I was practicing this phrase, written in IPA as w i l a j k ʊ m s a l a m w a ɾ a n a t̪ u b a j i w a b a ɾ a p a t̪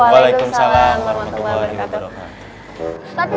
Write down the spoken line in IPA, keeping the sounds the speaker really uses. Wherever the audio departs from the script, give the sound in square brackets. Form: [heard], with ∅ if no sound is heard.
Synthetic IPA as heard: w [a] l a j k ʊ m s a l a m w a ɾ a [m] a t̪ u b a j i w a b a ɾ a [k] a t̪